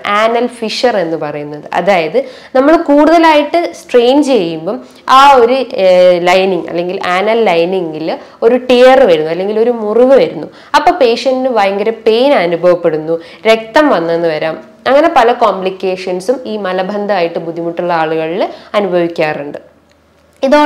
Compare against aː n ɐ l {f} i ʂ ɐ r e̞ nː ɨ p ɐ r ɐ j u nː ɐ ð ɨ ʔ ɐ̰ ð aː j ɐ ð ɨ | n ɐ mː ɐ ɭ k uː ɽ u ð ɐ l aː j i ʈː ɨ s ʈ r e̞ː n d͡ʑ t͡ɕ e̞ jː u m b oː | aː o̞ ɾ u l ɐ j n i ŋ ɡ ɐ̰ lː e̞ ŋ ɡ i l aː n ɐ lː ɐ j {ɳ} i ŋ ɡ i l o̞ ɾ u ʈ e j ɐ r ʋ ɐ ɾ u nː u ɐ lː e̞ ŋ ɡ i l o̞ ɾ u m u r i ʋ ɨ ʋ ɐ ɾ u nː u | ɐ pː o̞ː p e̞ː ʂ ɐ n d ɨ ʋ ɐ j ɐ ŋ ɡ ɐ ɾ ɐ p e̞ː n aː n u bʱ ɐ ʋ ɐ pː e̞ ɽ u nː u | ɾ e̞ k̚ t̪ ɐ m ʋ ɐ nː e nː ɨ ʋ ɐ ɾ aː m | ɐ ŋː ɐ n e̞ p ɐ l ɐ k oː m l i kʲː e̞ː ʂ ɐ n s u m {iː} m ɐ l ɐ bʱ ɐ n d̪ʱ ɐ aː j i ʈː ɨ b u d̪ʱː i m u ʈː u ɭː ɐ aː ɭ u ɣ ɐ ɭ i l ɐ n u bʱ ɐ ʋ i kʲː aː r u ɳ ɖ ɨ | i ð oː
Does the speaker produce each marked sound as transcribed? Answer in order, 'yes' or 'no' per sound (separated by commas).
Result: yes, no, yes